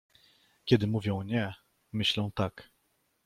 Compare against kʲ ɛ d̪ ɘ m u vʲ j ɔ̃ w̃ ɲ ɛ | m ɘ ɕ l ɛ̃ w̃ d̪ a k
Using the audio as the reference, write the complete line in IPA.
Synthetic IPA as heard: kʲ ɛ d̪ ɘ m u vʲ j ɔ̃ w̃ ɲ ɛ | m ɘ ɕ l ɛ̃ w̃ t̪ a k